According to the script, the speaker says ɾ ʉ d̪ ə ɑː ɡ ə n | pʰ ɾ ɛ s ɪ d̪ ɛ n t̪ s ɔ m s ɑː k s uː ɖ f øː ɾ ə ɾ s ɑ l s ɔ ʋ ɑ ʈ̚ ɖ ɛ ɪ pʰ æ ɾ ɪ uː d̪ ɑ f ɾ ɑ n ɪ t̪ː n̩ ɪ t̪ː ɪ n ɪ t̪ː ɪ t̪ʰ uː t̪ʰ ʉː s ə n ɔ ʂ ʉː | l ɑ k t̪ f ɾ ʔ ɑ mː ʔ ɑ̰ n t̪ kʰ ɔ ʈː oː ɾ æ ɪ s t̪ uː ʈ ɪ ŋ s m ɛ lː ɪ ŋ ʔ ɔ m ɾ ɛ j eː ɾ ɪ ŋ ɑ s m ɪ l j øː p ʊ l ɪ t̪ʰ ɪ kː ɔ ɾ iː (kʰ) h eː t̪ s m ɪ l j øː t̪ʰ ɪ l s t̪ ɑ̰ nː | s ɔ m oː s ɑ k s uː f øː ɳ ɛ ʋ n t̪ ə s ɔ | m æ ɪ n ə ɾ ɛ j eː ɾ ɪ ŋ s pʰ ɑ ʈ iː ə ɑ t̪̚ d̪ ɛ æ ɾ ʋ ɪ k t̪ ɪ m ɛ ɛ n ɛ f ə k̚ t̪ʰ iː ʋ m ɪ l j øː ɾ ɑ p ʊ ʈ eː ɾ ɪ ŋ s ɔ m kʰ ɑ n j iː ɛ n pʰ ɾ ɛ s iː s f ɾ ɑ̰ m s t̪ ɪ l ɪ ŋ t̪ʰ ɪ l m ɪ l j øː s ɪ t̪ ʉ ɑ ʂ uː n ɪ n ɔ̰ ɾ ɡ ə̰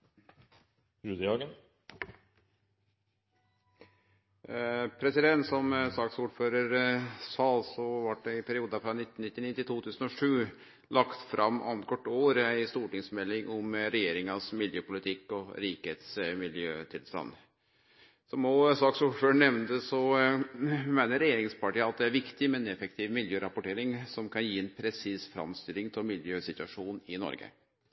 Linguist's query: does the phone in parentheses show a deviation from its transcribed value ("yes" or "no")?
yes